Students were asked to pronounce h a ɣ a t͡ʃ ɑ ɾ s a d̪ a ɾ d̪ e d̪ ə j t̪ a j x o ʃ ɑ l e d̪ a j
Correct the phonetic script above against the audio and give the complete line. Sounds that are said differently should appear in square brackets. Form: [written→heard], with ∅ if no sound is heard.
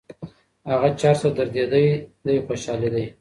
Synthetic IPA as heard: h a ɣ a t͡ʃ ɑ ɾ s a d̪ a ɾ d̪ e d̪ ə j [t̪→d̪] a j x o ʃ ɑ l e d̪ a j